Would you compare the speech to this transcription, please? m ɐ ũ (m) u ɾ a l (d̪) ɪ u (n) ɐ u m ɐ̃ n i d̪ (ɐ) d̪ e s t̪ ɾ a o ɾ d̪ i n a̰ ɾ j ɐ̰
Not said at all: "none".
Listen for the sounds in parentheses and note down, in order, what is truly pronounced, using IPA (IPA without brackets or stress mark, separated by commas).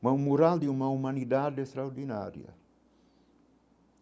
m, d̪, m, a